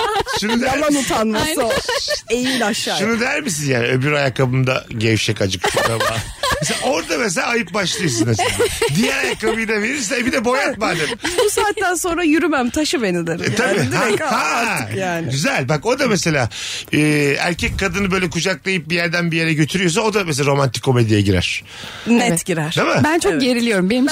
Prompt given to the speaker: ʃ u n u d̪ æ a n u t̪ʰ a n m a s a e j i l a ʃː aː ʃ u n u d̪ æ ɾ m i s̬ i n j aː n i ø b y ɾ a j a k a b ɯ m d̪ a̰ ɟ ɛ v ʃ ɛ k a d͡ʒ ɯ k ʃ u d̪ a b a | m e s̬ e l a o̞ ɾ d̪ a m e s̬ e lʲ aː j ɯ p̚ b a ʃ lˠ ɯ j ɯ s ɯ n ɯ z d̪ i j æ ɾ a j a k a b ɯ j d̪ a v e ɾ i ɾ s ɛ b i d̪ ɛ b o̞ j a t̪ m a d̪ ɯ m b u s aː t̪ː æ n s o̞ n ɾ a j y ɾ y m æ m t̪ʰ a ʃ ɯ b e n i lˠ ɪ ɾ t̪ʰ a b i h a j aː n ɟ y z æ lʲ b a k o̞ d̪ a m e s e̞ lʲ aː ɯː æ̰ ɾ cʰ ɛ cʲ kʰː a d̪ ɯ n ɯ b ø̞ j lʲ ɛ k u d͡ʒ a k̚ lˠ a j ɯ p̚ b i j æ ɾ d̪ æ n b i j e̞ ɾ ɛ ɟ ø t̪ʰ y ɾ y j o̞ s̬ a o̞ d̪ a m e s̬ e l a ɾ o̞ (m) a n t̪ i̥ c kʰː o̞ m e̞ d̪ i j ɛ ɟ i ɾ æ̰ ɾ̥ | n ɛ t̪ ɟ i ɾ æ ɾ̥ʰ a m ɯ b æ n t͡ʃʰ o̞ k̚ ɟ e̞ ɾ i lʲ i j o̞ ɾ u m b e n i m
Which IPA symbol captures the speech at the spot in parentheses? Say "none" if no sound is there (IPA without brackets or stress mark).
m